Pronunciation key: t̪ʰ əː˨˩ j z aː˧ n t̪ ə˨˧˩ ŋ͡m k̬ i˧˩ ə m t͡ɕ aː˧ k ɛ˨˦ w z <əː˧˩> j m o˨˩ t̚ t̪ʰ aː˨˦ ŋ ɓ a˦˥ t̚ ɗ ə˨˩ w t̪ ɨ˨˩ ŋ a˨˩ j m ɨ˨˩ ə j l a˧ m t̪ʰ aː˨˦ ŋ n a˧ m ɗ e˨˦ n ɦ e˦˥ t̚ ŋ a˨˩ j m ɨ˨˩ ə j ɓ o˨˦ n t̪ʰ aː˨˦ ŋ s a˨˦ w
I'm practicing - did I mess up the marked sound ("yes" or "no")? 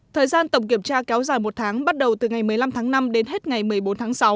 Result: yes